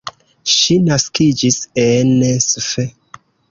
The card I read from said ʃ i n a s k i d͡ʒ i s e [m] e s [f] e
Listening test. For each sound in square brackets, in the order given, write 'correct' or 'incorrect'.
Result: incorrect: n, correct

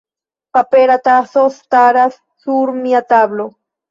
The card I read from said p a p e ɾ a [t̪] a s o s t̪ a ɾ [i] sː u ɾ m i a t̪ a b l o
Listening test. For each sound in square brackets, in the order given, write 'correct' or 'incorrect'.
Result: correct, incorrect: a

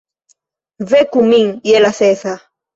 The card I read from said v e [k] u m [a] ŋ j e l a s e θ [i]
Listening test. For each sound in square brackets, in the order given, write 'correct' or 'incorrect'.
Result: correct, incorrect: i, incorrect: a

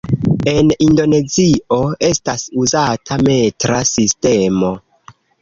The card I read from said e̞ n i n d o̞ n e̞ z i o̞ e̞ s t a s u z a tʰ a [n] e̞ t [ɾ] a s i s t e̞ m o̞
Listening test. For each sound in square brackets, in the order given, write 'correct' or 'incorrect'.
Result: incorrect: m, correct

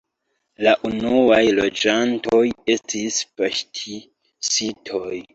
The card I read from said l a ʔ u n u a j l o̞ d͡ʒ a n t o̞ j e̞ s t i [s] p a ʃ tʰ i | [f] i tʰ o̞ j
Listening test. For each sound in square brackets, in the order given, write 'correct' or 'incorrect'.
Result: correct, incorrect: s

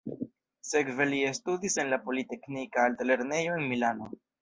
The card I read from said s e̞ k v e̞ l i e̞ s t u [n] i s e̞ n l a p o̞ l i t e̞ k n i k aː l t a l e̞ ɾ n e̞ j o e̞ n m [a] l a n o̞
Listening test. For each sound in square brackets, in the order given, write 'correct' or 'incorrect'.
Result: incorrect: d, incorrect: i

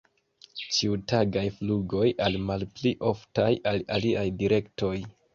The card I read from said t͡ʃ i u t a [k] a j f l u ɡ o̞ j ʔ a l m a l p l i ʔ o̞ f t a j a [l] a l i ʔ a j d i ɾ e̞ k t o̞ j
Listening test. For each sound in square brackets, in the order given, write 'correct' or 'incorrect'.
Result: incorrect: ɡ, correct

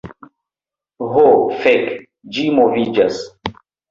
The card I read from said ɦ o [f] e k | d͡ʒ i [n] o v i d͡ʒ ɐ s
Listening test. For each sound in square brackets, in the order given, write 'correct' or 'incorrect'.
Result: correct, incorrect: m

